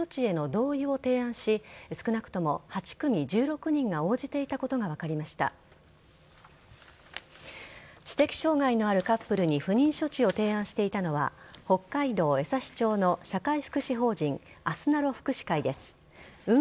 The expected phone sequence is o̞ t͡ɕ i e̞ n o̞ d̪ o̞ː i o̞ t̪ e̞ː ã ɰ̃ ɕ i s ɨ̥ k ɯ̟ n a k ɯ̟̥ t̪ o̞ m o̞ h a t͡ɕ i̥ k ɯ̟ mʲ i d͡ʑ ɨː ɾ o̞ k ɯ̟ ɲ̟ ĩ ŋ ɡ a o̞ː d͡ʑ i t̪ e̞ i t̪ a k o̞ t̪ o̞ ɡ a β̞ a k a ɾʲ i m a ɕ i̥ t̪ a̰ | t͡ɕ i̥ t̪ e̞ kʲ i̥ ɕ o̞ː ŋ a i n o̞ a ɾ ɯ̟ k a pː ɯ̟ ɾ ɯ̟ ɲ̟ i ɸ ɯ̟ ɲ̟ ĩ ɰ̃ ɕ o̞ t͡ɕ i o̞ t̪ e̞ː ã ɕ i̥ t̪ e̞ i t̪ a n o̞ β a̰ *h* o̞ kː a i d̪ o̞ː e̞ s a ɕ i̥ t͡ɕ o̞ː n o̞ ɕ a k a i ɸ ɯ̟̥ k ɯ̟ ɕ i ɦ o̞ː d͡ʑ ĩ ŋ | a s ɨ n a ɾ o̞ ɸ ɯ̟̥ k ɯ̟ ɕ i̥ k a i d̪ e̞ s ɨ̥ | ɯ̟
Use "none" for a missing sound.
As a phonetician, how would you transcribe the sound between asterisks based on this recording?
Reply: h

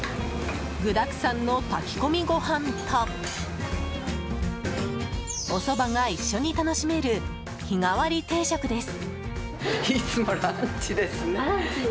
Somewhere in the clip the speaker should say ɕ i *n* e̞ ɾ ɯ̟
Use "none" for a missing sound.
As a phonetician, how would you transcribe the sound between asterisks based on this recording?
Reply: m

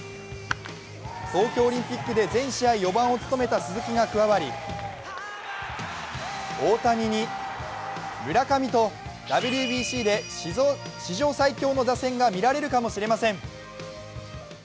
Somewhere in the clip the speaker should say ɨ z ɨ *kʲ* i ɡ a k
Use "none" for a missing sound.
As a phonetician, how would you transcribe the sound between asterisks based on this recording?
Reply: kʲ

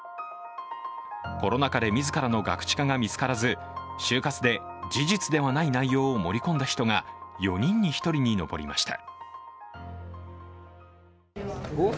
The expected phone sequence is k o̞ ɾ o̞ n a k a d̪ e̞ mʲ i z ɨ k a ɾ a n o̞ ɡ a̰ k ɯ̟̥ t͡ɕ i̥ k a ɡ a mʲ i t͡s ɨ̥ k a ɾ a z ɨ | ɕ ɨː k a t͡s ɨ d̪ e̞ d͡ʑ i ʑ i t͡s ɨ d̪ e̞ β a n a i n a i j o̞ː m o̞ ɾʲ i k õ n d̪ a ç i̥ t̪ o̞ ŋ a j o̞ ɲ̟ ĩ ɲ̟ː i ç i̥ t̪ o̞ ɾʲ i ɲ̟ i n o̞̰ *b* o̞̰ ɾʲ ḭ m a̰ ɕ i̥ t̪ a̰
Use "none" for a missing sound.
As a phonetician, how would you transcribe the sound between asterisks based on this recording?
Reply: b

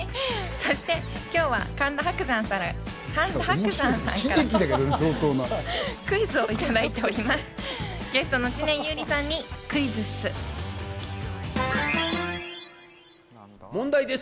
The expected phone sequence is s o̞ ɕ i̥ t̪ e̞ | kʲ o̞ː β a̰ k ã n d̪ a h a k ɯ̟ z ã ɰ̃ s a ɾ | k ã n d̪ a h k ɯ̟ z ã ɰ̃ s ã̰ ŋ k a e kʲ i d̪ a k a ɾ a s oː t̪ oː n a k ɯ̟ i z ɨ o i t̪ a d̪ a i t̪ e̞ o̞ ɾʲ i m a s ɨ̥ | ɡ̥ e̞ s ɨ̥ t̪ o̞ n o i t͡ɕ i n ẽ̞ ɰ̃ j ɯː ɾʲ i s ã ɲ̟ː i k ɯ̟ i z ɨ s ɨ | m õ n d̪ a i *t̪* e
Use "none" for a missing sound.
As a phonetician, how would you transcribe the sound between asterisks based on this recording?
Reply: d̪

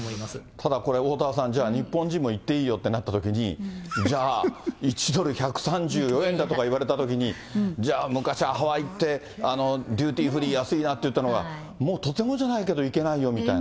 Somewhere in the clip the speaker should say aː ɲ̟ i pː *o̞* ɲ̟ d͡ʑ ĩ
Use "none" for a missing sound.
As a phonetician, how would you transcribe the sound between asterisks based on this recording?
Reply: õ̞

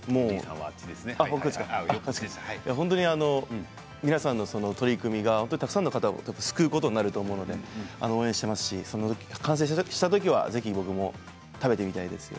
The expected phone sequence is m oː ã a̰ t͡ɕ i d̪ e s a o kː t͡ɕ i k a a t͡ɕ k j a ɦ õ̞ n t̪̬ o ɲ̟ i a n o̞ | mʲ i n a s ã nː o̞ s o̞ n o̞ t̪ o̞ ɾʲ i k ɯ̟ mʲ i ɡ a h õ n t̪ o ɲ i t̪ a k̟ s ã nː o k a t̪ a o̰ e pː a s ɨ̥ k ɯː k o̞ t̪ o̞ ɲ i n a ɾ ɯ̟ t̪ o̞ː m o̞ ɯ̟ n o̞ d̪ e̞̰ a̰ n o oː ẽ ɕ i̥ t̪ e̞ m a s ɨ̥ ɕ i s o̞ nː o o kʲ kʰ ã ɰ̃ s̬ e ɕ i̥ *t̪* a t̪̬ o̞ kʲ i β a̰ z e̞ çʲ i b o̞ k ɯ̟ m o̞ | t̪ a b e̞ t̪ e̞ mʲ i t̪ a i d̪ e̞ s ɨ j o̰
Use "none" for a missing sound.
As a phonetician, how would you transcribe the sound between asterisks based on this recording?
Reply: t̪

